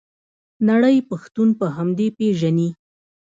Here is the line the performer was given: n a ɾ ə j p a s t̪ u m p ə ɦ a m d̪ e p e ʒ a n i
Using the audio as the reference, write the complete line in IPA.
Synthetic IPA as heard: n a ɽ ə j p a x t̪ u n p ə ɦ a m d̪ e p e ʒ a n i